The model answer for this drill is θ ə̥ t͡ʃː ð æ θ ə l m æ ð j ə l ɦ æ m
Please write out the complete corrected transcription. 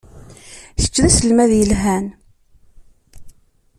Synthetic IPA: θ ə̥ t͡ʃː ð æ s ə l m æ ð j ə l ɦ æ n